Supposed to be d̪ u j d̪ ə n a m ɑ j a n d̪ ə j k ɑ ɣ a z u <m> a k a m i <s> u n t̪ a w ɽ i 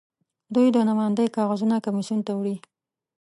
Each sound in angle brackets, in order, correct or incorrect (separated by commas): incorrect, correct